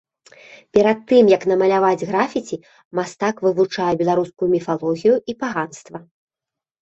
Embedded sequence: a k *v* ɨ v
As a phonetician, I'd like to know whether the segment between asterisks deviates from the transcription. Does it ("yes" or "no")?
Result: no